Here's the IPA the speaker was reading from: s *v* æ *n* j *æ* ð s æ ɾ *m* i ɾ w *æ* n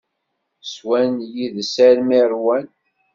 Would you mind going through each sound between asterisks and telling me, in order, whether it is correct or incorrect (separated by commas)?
incorrect, correct, incorrect, correct, correct